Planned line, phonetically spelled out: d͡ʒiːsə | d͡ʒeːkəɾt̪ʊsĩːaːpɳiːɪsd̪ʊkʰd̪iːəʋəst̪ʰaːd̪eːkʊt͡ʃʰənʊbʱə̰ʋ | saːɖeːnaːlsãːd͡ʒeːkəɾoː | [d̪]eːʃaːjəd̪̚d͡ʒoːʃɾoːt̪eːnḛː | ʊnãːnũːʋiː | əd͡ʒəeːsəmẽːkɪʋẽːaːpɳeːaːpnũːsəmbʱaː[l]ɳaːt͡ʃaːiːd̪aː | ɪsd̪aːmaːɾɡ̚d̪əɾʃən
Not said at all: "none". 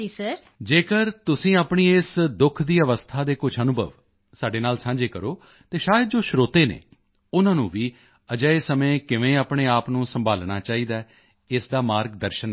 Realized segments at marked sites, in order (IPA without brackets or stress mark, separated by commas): t̪, l